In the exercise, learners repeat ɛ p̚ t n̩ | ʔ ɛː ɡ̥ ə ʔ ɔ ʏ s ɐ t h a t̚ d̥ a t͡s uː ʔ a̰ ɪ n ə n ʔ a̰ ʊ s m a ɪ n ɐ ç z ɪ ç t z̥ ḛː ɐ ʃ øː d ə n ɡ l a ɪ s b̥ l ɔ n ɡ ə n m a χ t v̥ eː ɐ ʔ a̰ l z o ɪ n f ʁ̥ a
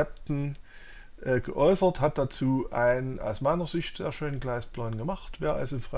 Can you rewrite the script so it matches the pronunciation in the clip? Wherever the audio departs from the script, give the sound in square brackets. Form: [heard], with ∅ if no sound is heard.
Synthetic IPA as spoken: ɛ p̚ t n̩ | ʔ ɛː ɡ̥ ə ʔ ɔ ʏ s ɐ t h a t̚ d̥ a t͡s uː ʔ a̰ ɪ n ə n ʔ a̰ ʊ s m a ɪ n ɐ [∅] z ɪ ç t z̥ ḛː ɐ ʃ øː [n] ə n ɡ l a ɪ s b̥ l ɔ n ɡ ə [∅] m a χ t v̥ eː ɐ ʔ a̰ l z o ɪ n f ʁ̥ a